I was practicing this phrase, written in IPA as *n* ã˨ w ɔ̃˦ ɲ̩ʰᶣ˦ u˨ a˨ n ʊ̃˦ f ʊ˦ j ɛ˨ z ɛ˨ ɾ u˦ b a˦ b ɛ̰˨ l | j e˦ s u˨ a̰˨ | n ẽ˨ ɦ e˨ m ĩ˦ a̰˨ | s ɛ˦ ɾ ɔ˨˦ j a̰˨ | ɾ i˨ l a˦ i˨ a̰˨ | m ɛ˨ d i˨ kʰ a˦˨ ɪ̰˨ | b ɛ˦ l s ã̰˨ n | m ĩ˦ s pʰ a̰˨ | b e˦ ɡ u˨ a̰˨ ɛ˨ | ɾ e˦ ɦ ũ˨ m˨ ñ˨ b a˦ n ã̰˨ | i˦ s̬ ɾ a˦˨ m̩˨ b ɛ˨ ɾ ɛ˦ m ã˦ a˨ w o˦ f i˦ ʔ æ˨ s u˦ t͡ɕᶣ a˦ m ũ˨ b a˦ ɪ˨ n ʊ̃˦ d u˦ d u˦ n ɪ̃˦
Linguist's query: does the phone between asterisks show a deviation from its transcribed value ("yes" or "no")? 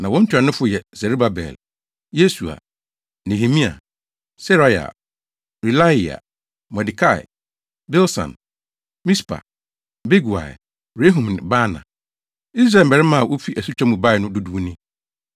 no